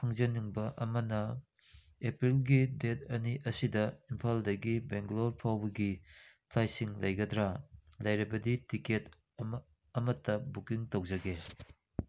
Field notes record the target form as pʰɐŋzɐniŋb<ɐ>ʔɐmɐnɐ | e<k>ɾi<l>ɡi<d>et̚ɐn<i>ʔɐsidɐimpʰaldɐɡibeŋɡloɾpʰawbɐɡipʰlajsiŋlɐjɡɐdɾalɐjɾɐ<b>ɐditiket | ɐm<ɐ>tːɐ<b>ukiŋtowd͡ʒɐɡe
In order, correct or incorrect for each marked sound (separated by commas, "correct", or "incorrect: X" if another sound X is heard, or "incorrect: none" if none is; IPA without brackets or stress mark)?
correct, incorrect: p, correct, correct, correct, correct, correct, correct